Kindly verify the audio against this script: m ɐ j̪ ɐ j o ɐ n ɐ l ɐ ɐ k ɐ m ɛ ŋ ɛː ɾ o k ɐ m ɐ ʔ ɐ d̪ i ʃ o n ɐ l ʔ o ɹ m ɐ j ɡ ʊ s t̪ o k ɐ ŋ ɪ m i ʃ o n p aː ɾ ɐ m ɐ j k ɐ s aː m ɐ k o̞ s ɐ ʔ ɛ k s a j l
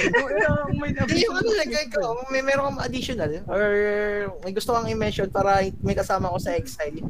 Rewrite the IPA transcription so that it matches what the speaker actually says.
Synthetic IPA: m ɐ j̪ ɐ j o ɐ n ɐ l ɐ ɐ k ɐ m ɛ m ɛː ɾ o k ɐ m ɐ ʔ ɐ d̪ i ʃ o n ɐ l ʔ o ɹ m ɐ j ɡ ʊ s t̪ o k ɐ ŋ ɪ m ɛ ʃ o n p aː ɾ ɐ m ɐ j k ɐ s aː m ɐ k o̞ s ɐ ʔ ɛ k s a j l